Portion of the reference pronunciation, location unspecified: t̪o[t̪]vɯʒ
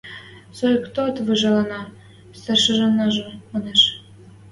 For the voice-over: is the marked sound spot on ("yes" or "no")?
yes